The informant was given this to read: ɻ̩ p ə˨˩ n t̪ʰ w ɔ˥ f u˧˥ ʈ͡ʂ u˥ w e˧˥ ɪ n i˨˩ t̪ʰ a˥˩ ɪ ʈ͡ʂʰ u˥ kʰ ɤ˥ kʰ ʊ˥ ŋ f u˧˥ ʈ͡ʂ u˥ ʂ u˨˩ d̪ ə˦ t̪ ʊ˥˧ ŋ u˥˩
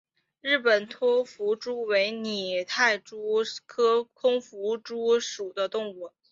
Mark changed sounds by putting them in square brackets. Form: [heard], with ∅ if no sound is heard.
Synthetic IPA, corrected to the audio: ɻ̩ p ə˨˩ n t̪ʰ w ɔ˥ f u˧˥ ʈ͡ʂ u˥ w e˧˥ ɪ n i˨˩ t̪ʰ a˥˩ ɪ [ʈ͡ʂ] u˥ kʰ ɤ˥ kʰ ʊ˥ ŋ f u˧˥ ʈ͡ʂ u˥ ʂ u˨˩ d̪ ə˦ t̪ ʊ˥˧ ŋ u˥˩